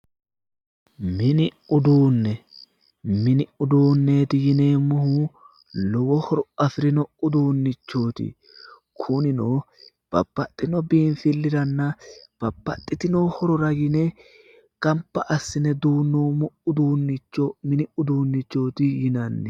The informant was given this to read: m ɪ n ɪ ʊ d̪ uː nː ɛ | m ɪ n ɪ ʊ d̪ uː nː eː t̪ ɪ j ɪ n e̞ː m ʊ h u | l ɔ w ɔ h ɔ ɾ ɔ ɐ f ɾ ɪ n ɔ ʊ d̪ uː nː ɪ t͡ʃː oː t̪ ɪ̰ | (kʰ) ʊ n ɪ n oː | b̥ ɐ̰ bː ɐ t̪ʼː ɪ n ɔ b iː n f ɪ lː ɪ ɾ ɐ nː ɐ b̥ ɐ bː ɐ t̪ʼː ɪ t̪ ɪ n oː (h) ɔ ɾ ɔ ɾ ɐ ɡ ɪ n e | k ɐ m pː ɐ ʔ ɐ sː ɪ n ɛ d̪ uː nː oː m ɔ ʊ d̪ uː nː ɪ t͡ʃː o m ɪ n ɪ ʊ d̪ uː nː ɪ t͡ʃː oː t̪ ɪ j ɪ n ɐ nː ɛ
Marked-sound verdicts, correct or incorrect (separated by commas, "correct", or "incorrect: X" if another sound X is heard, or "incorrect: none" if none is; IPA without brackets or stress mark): correct, correct